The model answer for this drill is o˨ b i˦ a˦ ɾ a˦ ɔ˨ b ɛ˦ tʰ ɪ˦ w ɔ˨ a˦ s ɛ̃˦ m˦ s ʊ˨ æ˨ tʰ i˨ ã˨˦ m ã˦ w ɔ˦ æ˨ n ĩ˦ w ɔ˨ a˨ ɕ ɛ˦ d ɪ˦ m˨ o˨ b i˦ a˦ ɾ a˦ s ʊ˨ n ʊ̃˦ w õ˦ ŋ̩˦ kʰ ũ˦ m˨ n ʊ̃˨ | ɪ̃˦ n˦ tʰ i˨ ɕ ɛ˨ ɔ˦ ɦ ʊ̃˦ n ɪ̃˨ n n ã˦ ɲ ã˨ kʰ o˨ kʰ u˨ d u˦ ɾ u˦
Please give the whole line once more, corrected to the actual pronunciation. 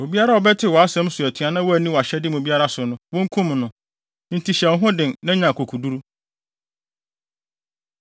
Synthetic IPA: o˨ b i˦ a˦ ɾ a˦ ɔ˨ b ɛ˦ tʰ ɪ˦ w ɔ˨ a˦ s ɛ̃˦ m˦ s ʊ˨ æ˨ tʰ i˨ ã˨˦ n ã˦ w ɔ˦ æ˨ n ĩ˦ w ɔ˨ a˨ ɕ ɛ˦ d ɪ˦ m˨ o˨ b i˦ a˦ ɾ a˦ s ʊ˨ n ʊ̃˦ w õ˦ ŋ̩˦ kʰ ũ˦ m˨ n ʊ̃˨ | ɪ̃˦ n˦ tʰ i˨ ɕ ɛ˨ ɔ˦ ɦ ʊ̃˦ d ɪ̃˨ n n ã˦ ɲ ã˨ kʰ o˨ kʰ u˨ d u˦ ɾ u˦